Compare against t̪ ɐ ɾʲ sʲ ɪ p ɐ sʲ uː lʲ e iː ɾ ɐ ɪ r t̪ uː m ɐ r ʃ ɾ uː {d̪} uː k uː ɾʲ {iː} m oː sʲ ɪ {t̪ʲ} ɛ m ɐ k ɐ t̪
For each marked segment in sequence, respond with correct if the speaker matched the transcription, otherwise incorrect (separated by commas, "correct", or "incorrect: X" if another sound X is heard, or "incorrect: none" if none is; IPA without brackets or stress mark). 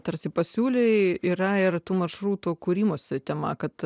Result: incorrect: t̪, correct, correct